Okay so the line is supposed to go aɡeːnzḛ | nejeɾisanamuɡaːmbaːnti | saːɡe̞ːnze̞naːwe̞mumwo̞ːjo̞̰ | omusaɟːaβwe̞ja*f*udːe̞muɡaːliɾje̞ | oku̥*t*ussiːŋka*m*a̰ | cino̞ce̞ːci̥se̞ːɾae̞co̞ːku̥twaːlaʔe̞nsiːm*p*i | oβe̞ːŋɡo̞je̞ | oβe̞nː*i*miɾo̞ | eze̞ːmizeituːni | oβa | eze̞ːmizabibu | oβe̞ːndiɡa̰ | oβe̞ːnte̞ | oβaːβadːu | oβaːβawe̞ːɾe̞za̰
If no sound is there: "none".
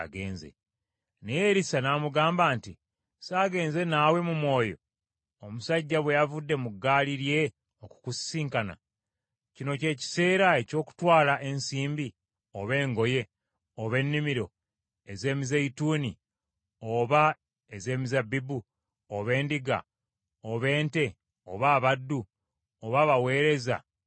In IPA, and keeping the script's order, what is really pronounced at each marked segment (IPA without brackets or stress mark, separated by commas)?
v, k, n, b, i